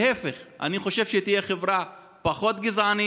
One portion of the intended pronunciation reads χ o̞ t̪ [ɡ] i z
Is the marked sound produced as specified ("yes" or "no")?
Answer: yes